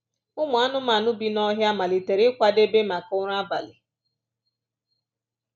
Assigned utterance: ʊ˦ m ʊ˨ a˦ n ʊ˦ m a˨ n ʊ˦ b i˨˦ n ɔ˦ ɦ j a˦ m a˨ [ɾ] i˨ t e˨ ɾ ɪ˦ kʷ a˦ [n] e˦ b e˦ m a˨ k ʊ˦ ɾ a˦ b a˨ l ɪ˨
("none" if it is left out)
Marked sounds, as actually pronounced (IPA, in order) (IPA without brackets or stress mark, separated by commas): l, d